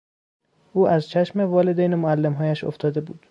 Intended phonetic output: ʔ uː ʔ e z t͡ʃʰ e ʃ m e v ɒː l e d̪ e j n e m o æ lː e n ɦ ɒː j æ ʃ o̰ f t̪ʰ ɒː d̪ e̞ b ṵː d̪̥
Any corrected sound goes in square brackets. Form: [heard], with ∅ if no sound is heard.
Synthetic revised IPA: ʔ uː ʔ [æ] z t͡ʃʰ [æ] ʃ m e v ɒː l e d̪ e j n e m o æ lː e [m] ɦ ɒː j æ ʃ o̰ f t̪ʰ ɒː d̪ e̞ b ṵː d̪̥